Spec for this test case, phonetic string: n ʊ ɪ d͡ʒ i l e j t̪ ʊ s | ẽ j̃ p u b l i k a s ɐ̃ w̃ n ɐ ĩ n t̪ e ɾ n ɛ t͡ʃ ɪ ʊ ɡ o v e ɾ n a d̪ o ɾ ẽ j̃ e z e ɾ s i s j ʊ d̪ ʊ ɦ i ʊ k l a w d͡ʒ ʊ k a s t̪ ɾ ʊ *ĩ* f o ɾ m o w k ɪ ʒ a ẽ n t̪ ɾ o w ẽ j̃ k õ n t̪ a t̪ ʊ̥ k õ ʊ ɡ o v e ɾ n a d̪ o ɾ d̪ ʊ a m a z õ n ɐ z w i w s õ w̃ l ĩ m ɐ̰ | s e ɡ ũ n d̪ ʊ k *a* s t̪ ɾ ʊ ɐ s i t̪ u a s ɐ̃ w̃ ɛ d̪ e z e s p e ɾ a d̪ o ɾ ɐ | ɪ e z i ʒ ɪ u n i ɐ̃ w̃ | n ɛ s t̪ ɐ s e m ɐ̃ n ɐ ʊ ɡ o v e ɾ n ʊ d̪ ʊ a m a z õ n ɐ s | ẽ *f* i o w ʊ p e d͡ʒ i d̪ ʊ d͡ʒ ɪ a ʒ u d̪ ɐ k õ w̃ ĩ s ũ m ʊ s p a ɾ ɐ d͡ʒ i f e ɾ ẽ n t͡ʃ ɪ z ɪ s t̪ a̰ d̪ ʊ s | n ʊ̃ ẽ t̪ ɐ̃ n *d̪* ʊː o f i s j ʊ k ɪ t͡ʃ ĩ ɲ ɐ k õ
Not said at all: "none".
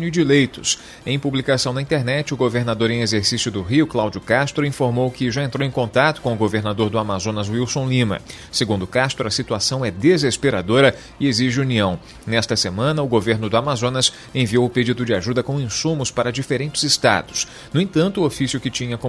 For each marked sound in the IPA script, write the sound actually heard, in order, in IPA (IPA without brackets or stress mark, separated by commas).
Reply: ĩ, a, v, t̪